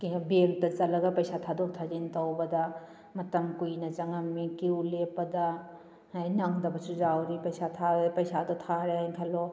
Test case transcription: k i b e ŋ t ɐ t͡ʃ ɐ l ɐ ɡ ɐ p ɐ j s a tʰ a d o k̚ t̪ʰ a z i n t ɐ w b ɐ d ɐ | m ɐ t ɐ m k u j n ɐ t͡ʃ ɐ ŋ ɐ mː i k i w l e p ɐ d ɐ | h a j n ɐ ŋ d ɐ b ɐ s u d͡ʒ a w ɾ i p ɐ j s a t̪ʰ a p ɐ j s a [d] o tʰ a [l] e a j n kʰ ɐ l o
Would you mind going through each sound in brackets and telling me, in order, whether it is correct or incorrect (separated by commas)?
correct, incorrect